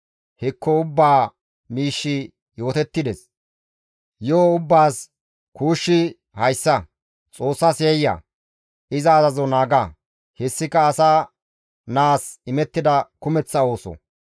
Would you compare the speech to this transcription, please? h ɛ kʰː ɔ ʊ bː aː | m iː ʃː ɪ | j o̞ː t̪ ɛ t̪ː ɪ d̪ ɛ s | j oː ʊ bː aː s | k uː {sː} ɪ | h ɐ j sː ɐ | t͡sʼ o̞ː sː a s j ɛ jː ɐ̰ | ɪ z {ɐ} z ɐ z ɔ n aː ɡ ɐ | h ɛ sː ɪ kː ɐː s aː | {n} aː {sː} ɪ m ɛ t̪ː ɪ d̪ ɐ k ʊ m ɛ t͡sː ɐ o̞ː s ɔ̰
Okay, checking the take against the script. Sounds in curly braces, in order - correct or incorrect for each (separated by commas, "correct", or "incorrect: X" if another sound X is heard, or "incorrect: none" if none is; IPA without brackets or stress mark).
incorrect: ʃː, incorrect: ɐː, correct, incorrect: s